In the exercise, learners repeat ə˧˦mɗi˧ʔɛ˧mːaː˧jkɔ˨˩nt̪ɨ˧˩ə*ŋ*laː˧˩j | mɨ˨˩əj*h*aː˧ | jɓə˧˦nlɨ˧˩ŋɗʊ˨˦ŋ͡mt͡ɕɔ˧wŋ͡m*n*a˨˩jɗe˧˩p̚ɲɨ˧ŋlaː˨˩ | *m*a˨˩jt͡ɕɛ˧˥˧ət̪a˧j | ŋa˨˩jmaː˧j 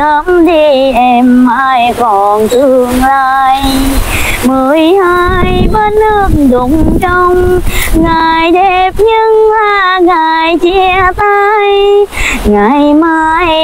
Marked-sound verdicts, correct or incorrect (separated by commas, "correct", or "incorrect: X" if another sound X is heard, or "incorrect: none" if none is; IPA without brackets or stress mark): correct, correct, incorrect: ŋ, incorrect: ŋ